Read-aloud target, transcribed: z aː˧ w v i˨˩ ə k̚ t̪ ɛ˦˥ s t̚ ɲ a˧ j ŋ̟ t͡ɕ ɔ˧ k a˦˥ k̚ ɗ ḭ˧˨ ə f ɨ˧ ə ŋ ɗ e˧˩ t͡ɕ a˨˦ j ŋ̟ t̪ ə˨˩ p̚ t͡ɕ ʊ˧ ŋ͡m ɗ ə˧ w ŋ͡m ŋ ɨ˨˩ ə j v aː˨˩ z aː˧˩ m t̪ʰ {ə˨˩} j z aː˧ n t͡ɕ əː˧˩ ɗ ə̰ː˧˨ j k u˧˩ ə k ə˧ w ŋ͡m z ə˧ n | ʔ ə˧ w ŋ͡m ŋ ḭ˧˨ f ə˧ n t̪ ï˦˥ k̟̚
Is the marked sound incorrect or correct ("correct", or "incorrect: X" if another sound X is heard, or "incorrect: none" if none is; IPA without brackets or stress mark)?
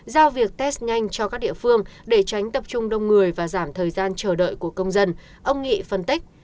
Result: incorrect: əː˨˩